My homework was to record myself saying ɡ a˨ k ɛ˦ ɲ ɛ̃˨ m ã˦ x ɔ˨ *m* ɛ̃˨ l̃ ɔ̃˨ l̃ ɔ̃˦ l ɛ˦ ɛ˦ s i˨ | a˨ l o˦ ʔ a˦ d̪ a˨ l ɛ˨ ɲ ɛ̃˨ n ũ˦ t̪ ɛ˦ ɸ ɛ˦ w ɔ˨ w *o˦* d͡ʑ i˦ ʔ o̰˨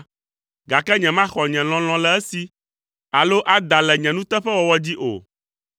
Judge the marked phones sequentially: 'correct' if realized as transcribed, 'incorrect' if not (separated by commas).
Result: incorrect, incorrect